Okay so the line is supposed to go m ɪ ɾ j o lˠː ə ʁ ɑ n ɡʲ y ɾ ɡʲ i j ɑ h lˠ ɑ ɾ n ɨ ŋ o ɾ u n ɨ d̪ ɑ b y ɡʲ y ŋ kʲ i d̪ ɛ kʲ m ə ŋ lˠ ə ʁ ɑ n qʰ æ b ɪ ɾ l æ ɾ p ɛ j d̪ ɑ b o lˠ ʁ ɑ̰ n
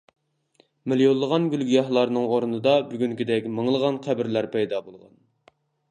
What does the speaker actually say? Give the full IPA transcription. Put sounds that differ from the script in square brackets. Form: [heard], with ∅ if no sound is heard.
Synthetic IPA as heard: m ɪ [l] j o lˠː ə ʁ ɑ n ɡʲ y [l] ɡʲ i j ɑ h lˠ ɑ ɾ n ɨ ŋ o ɾ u n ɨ d̪ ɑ b y ɡʲ y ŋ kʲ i d̪ ɛ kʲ m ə ŋ lˠ ə ʁ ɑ n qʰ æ b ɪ ɾ l æ ɾ p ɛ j d̪ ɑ b o lˠ ʁ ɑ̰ n